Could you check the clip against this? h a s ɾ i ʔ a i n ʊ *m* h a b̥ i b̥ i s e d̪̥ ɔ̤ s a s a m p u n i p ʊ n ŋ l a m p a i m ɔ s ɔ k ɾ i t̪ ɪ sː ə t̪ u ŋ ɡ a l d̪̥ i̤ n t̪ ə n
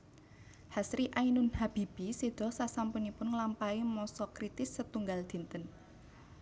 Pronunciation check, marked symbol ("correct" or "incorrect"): incorrect